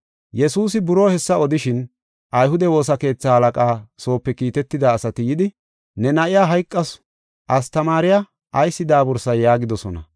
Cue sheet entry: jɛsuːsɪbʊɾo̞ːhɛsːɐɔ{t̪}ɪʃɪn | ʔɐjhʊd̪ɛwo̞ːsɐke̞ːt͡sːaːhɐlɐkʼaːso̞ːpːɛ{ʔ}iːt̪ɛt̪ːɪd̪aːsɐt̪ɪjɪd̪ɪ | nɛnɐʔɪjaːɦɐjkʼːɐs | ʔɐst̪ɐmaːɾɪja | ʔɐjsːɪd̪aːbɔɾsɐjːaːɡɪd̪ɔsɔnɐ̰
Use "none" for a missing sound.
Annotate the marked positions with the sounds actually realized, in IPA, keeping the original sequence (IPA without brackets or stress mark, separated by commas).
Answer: d̪, k